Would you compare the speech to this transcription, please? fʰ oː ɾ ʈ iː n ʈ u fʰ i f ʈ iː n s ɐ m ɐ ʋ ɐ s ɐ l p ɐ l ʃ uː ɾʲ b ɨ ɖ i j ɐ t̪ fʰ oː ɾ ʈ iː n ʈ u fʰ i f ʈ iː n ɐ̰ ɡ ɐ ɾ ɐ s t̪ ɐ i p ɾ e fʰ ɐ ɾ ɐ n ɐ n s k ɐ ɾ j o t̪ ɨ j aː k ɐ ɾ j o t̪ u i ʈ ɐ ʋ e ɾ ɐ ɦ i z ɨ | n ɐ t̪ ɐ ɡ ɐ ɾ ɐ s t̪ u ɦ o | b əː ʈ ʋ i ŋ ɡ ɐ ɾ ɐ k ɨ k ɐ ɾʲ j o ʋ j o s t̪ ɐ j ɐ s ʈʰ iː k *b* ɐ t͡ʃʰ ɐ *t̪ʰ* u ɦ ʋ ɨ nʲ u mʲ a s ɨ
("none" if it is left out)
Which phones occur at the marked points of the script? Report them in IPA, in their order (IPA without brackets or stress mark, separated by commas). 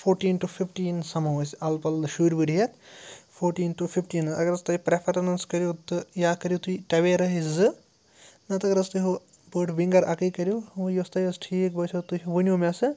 b, t̪